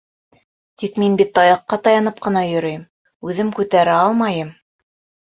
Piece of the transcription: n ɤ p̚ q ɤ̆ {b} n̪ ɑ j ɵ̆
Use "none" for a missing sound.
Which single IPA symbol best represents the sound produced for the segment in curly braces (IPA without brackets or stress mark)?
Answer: none